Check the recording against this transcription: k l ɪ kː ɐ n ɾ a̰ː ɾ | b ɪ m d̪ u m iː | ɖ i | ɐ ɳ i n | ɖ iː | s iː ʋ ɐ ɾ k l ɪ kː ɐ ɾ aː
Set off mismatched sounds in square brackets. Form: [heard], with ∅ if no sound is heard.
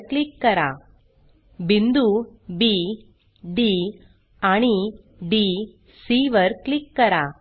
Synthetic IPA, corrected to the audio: k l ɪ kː ɐ [∅] ɾ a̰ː [∅] | b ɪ [n] d̪ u [b] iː | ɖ i | ɐ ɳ i [∅] | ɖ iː | s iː ʋ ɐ ɾ k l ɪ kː ɐ ɾ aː